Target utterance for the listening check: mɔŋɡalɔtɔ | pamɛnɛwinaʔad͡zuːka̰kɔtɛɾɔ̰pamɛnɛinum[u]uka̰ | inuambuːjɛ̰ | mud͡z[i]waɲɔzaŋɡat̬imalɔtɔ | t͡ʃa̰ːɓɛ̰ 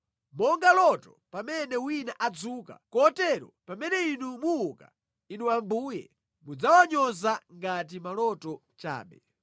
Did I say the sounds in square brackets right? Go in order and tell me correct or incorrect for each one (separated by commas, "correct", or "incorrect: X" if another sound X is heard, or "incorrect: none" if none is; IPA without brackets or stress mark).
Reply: correct, incorrect: a